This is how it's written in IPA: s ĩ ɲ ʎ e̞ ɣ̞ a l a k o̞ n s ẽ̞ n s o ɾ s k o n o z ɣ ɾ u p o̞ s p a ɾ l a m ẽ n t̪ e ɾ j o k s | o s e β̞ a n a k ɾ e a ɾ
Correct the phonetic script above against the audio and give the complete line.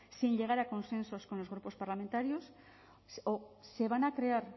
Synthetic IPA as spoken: s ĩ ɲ ʎ e̞ ɣ̞ a ɾ a k o̞ n s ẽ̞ n s o s k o n o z ɣ ɾ u p o̞ s p a ɾ l a m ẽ n t̪ a ɾ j o s | o s e β̞ a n a k ɾ e a ɾ